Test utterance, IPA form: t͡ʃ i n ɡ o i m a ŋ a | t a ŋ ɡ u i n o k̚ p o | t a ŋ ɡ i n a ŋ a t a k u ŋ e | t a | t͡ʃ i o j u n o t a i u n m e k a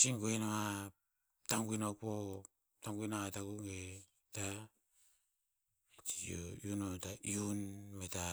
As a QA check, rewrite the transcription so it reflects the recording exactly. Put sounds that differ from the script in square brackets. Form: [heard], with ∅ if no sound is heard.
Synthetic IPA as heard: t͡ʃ i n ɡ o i [n] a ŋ a | t a ŋ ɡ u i n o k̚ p o | t a ŋ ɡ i n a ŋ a t a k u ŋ e | t a | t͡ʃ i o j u n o t a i u n m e [t] a